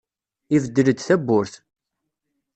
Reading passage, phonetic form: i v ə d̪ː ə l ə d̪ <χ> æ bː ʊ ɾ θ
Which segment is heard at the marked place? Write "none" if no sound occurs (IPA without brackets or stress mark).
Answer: θ